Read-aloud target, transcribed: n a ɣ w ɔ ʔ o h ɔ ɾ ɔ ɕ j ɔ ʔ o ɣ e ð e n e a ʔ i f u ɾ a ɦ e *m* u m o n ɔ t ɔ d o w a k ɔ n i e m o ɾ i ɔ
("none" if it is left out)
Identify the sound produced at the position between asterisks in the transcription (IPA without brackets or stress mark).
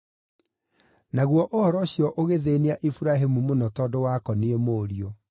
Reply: m